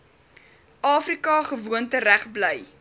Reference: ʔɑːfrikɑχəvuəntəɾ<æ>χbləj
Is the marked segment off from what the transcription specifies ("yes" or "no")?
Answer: no